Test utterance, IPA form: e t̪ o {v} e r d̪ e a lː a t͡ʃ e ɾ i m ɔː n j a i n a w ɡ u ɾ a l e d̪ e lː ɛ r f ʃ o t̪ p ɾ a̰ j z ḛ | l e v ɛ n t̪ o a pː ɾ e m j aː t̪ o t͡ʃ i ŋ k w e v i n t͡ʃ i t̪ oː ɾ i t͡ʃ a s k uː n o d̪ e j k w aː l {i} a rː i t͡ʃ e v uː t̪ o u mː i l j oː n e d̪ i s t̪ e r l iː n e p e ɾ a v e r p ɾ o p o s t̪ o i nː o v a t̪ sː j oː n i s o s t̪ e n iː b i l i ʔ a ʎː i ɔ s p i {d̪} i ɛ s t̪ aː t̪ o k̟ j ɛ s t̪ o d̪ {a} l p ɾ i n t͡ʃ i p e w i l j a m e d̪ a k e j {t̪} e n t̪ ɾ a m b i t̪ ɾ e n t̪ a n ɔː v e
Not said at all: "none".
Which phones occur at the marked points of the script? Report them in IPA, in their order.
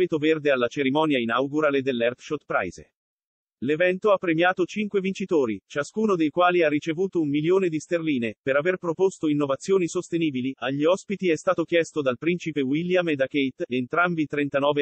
v, i, t̪, a, t̪

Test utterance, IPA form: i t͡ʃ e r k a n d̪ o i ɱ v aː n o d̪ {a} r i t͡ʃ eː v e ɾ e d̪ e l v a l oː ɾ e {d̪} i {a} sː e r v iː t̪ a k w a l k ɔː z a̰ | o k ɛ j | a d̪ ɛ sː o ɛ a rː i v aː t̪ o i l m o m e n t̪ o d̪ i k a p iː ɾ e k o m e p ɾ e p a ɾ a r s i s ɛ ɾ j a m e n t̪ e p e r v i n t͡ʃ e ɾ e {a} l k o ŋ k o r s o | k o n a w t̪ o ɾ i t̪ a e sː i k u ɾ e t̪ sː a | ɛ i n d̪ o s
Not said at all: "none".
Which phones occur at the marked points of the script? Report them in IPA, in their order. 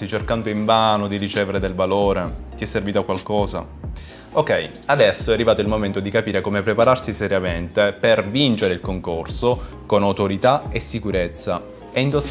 i, t̪, ɛ, i

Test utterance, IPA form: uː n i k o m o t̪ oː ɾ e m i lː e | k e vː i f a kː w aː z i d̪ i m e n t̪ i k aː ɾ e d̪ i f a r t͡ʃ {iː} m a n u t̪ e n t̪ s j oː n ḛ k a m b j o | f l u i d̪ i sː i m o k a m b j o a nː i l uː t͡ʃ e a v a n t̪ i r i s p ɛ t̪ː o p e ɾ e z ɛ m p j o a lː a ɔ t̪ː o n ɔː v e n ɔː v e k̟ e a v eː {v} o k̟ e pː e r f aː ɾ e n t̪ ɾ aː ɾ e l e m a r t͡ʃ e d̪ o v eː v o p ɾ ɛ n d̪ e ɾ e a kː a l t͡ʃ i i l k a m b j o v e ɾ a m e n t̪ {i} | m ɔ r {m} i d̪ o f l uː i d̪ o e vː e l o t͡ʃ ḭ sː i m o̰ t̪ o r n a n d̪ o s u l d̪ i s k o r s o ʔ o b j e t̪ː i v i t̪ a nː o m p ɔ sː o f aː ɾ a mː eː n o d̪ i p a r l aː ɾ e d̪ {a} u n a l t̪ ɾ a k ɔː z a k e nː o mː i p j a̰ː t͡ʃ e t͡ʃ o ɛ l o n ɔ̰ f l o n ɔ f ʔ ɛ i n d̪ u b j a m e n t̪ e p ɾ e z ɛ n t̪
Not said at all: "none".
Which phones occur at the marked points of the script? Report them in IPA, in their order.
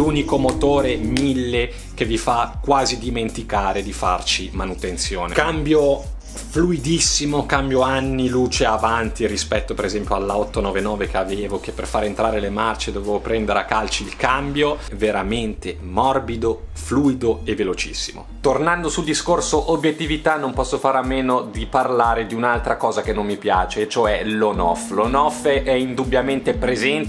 i, v, e, b, i

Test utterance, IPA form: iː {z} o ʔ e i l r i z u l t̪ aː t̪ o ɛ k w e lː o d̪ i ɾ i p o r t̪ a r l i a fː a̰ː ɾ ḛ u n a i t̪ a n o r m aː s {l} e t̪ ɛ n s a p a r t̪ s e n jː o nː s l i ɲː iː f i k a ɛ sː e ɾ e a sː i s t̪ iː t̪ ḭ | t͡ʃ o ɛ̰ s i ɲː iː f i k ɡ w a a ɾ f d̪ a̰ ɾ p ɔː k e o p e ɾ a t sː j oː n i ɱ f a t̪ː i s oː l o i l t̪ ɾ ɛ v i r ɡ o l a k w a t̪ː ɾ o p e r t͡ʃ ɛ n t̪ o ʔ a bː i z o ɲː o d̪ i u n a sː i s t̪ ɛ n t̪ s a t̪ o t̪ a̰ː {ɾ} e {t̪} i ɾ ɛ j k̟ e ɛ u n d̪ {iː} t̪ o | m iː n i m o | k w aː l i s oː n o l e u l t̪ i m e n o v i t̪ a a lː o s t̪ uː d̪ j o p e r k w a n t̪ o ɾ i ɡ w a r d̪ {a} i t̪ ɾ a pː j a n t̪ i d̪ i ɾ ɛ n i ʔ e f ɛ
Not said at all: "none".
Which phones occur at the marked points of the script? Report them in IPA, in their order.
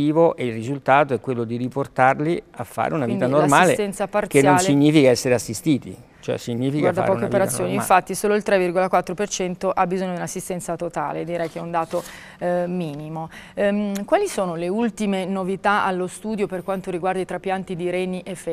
v, l, l, d̪, aː, a

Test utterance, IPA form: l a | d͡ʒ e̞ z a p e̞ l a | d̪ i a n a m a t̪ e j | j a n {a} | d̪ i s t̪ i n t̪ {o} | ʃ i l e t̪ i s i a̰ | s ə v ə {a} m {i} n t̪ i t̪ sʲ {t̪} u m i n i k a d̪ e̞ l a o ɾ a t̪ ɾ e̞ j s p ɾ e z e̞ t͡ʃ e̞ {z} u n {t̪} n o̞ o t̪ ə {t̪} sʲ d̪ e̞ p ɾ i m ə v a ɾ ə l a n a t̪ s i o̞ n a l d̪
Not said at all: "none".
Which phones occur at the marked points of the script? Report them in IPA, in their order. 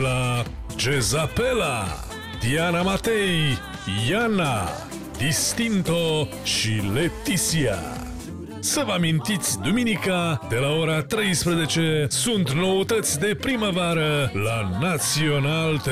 a, o, a, i, d̪, s, t̪, t̪

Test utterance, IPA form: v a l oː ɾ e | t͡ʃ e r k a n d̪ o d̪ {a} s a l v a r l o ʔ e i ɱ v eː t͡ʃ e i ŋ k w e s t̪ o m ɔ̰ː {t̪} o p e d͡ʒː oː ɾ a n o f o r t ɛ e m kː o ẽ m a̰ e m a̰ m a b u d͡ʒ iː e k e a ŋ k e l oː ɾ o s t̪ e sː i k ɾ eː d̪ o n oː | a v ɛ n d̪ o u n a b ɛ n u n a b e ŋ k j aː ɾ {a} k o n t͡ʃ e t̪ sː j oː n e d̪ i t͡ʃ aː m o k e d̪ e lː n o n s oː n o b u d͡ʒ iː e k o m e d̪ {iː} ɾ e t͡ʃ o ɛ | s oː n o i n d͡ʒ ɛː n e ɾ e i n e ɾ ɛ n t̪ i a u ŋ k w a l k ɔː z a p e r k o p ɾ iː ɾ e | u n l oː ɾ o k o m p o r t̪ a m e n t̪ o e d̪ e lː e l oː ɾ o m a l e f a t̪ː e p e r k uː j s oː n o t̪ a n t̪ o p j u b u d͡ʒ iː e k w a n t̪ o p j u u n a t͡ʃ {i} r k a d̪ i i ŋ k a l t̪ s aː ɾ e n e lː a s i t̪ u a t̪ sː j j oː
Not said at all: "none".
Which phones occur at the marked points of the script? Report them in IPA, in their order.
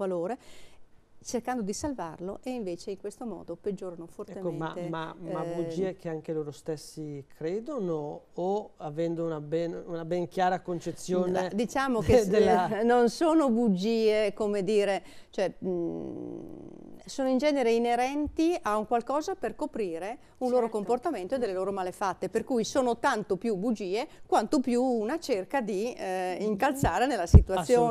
i, d̪, a, iː, e

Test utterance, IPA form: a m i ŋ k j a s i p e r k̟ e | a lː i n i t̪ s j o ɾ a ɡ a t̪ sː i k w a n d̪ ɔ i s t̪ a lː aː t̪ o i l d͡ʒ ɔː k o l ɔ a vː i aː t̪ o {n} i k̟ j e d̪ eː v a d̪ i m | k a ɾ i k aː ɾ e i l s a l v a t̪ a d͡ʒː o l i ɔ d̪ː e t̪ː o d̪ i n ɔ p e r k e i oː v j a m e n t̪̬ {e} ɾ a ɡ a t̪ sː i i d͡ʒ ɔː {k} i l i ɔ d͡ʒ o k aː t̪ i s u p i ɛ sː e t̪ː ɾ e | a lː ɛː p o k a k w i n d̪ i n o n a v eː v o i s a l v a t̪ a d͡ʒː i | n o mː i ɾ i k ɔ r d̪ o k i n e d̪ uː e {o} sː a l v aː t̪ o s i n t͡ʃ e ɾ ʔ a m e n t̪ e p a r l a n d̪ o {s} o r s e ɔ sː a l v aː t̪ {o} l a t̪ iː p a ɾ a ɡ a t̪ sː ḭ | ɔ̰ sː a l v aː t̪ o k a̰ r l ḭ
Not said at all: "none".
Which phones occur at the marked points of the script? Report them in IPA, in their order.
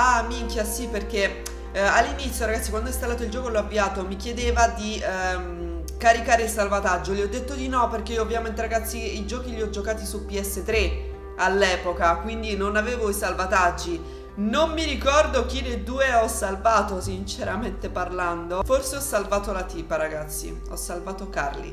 m, e, k, ɔ, f, o

